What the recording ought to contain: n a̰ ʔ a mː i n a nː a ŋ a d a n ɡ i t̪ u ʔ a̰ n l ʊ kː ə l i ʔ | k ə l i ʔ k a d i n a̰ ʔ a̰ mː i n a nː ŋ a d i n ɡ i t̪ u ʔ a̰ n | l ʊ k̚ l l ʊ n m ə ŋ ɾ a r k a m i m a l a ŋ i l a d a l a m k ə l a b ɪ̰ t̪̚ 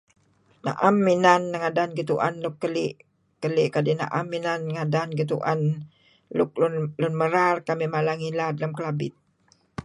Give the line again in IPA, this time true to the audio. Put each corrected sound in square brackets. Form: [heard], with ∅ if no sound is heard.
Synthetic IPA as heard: n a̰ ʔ a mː i n a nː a ŋ a d a n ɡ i t̪ u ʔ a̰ n l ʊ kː ə l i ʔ | k ə l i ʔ k a d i n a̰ ʔ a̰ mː i n a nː ŋ a d [a] n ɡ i t̪ u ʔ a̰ n | l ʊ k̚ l l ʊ n m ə [∅] ɾ a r k a m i m a l a ŋ i l a d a l a m k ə l a b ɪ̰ t̪̚